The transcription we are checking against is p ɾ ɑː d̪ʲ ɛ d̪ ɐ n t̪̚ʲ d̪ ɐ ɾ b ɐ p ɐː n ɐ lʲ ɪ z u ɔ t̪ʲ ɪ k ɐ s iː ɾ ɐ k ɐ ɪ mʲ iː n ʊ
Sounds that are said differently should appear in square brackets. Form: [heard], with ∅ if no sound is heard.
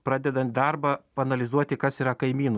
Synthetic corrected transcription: p ɾ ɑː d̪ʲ ɛ d̪ ɐ n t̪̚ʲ d̪ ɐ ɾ b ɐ p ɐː n ɐ lʲ ɪ z u ɔ t̪ʲ ɪ k ɐ s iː ɾ ɐ k ɐ ɪ mʲ iː n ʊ